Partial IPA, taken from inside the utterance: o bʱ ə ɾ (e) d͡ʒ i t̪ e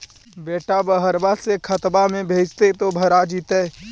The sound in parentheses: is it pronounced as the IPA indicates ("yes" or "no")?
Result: no